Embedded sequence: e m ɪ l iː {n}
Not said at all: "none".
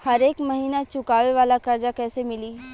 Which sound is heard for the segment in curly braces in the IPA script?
none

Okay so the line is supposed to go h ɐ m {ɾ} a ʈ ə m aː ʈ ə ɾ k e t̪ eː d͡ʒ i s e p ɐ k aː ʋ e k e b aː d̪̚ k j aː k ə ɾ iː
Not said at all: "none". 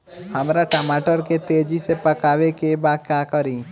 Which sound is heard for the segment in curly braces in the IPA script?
ɾ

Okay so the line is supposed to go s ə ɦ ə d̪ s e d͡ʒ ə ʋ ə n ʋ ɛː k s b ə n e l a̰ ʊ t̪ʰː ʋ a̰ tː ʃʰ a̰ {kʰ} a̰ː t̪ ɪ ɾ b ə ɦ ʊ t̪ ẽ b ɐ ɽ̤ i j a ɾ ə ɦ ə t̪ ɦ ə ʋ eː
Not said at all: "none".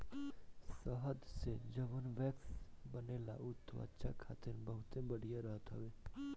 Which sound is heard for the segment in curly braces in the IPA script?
kʰ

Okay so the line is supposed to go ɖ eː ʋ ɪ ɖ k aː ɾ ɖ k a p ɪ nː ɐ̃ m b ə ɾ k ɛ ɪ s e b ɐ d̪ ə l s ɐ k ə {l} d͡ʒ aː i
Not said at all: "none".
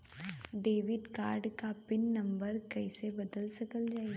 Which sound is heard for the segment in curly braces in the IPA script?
l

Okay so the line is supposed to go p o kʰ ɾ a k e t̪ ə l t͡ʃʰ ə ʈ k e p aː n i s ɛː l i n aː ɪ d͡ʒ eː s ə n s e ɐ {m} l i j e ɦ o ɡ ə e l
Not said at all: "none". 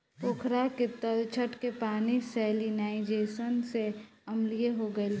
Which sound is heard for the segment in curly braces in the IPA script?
m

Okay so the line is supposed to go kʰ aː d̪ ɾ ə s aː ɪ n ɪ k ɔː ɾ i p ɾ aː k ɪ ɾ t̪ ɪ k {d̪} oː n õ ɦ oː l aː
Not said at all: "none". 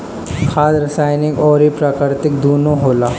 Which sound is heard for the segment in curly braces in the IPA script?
d̪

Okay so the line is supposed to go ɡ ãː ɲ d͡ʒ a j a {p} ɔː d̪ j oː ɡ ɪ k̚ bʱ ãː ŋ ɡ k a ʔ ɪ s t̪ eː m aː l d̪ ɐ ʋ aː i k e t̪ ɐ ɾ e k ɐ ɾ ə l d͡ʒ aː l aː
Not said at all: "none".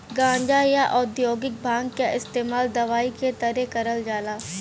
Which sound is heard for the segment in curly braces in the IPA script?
ʔ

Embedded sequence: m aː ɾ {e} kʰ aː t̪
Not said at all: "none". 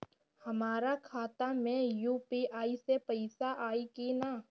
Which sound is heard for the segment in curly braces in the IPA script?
a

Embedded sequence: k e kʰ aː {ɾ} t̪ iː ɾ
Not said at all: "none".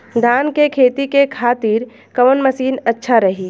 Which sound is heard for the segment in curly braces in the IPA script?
none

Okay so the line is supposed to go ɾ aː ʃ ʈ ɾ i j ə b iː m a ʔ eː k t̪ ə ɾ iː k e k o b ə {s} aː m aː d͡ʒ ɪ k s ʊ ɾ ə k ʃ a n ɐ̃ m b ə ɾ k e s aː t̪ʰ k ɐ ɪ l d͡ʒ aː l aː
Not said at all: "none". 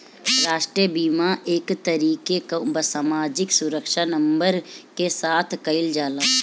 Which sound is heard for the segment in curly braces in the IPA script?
s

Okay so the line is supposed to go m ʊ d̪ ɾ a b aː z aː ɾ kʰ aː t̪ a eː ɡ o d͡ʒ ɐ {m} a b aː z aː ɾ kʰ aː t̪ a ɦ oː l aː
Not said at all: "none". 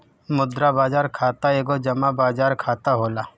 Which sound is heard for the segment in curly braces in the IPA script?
m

